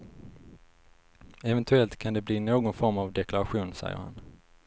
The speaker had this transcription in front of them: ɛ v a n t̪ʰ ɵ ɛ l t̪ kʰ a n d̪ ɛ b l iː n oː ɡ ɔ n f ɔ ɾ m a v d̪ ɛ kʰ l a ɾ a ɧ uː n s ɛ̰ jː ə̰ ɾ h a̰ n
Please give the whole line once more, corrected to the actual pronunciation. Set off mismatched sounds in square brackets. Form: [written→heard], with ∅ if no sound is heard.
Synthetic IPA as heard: ɛ v [a→ɛ] n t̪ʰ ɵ ɛ l t̪ kʰ a n d̪ ɛ b l iː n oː ɡ ɔ n f ɔ ɾ m a v d̪ ɛ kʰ l a ɾ a ɧ uː n s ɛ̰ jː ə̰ ɾ h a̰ n

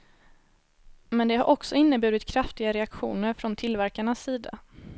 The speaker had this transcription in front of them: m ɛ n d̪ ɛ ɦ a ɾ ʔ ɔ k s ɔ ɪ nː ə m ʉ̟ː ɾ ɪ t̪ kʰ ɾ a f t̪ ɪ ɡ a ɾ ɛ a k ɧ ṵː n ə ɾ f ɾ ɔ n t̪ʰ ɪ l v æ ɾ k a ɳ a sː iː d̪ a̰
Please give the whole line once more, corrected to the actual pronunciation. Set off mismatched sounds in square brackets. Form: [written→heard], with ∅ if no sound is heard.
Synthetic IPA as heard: m ɛ n d̪ ɛ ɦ a ɾ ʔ ɔ k s ɔ ɪ nː ə [m→b] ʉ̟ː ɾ ɪ t̪ kʰ ɾ a f t̪ ɪ ɡ a ɾ ɛ a k ɧ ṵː n ə ɾ f ɾ ɔ n t̪ʰ ɪ l v æ ɾ k a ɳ a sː iː d̪ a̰

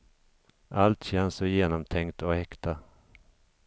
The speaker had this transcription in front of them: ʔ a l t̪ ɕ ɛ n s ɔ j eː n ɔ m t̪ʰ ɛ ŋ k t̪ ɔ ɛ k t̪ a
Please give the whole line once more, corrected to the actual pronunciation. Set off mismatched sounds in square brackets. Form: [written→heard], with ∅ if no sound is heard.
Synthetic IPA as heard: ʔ a l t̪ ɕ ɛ n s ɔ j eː n ɔ m t̪ʰ ɛ ŋ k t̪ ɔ ɛ k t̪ a

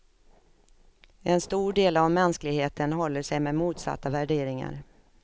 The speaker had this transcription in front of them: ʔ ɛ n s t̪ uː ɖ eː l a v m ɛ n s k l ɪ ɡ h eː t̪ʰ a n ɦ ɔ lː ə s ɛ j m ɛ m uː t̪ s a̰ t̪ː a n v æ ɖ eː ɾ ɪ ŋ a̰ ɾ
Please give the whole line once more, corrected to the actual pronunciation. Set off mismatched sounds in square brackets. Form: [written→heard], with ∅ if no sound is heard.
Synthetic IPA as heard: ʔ ɛ n s t̪ uː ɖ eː l a v m ɛ n s k l ɪ ɡ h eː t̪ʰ [a→ə] n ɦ ɔ lː ə [s→ʂ] ɛ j m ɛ m uː t̪ s a̰ t̪ː a [n→∅] v æ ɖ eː ɾ ɪ ŋ a̰ ɾ

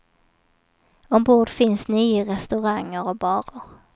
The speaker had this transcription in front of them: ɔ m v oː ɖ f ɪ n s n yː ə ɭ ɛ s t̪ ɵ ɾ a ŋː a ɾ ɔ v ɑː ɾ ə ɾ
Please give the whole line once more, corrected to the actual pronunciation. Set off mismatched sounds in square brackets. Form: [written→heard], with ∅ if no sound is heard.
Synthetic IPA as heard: ɔ m [v→b] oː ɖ f ɪ n s n yː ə [ɭ→ɾ] ɛ s t̪ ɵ ɾ a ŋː [a→ə] ɾ ɔ [v→b] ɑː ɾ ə ɾ

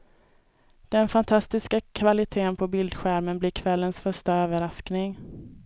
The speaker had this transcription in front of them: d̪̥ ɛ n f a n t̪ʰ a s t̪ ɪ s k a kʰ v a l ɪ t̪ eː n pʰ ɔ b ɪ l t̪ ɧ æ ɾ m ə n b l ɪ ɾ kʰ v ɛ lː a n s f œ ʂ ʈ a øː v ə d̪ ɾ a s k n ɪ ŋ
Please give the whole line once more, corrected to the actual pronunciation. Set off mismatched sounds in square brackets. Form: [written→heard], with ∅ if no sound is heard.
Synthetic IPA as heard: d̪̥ ɛ n f a n t̪ʰ a s t̪ ɪ s k a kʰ v a l ɪ [t̪→t̪ʰ] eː n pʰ ɔ b ɪ l [t̪→d̪] ɧ æ ɾ m ə n b l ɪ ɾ kʰ v ɛ lː [a→ə] n s f œ ʂ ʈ a øː v ə [d̪→∅] ɾ a s k n ɪ ŋ

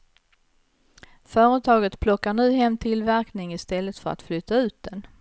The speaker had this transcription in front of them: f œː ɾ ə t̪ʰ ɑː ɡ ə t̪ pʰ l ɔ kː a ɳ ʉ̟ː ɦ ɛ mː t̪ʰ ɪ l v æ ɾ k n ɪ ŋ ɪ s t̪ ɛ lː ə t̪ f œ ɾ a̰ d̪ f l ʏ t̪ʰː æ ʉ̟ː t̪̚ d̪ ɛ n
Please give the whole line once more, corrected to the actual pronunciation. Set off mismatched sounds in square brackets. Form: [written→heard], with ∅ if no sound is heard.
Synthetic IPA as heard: f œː ɾ ə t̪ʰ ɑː ɡ ə t̪ pʰ l ɔ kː a ɳ ʉ̟ː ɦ ɛ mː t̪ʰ ɪ l v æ ɾ k n ɪ ŋ ɪ s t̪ ɛ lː ə t̪ f œ ɾ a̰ [d̪→t̪] f l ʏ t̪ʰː [æ→a] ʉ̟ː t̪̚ d̪ ɛ n

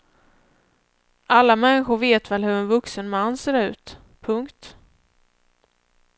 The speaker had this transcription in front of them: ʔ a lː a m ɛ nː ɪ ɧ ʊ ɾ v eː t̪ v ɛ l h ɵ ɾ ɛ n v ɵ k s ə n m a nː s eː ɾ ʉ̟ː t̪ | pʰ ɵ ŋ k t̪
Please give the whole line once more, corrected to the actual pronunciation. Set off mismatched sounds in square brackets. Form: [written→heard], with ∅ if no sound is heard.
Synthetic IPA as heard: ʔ a lː a m ɛ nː ɪ ɧ ʊ ɾ v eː t̪ v ɛ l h ɵ ɾ ɛ n v ɵ k s ə n m a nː s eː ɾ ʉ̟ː t̪ | pʰ ɵ ŋ k t̪

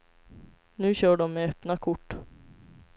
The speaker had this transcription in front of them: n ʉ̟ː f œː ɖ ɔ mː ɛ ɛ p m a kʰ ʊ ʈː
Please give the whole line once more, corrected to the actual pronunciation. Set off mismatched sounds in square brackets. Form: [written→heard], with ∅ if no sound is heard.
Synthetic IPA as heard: n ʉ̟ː [f→ɕ] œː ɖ ɔ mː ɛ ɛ p [m→n] a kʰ ʊ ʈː

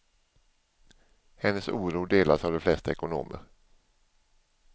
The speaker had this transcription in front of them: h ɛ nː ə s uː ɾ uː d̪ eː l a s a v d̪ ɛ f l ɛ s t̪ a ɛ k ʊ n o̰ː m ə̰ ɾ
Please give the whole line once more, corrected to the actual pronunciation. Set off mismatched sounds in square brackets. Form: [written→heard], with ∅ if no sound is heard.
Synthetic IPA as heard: h ɛ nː ə s uː ɾ uː d̪ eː l a s a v d̪ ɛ f l ɛ s t̪ a ɛ k ʊ n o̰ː m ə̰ ɾ

